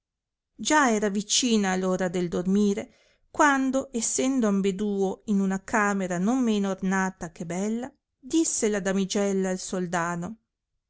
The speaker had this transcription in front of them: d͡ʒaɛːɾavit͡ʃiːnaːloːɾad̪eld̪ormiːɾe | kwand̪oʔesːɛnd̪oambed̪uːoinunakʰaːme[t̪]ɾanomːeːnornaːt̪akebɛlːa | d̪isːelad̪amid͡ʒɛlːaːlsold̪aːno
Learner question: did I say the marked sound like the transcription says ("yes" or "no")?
no